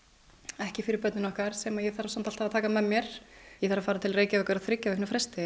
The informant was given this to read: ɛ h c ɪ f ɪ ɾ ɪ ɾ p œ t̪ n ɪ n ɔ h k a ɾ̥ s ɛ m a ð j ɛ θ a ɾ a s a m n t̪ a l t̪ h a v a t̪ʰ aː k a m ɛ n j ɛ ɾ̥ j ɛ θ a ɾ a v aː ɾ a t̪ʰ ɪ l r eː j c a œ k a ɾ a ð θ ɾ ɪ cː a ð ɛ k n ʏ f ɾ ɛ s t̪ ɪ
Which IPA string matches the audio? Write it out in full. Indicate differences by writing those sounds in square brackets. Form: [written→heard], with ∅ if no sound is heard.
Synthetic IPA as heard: ɛ h c ɪ f ɪ ɾ ɪ ɾ p œ t̪ n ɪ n ɔ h k a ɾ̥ s ɛ m a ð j ɛ θ a ɾ a s a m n t̪ a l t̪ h a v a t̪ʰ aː k a m ɛ [n→m] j ɛ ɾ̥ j ɛ θ a ɾ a [v→f] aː ɾ a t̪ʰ ɪ l r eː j c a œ k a ɾ a ð θ ɾ ɪ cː a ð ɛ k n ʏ f ɾ ɛ s t̪ ɪ